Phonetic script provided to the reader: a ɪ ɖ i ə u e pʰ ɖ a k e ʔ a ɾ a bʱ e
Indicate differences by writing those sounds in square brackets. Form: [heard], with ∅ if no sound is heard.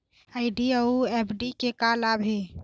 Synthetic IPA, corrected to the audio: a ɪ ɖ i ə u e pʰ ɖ [i] k e [k] a [l] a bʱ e